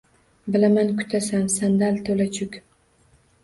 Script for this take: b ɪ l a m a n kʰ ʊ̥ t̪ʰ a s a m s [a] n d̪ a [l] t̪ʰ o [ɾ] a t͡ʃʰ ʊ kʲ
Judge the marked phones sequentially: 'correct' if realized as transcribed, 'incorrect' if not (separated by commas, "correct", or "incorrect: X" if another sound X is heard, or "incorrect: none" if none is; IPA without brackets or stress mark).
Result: correct, correct, incorrect: l